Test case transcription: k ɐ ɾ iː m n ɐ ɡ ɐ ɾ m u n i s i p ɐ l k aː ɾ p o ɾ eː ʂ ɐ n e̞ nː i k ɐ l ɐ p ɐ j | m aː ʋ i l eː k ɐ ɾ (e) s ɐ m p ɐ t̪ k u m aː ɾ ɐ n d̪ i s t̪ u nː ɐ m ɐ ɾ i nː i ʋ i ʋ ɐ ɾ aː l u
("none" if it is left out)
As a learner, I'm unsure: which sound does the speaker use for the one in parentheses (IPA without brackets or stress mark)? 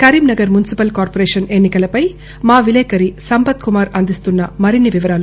i